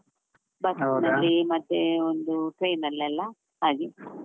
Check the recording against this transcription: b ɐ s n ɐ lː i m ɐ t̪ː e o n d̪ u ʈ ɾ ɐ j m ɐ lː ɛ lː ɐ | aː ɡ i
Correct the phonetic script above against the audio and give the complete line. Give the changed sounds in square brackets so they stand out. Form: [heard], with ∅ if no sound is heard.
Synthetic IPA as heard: b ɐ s n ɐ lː i m ɐ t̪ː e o n d̪ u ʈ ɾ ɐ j [n] ɐ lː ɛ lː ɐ | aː ɡ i